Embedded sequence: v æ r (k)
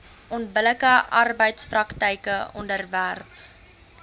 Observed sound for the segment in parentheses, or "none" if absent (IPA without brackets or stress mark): p